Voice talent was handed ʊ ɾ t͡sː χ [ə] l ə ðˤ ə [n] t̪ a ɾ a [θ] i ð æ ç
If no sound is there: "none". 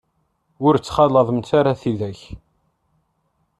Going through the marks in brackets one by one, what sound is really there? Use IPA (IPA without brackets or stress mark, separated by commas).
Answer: ɑ, m, θ